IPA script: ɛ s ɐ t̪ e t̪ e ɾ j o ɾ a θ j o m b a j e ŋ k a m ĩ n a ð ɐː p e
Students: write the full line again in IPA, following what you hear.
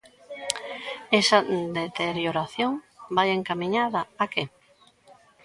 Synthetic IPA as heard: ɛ s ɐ d̪ e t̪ e ɾ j o ɾ a θ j o ŋ b a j e ŋ k a m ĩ ɲ a ð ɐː k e